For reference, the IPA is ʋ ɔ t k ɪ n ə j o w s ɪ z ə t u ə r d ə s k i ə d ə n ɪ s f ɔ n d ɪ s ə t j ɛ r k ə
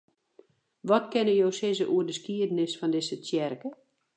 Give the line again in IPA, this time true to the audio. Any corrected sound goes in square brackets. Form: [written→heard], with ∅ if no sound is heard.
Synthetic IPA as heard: ʋ ɔ t k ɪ n ə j o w s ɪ z ə [t→ʔ] u ə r d ə s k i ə d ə n ɪ s f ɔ n d ɪ s ə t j ɛ r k ə